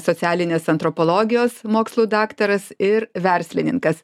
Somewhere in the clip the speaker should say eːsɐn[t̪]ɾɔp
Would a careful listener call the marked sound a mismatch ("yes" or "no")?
no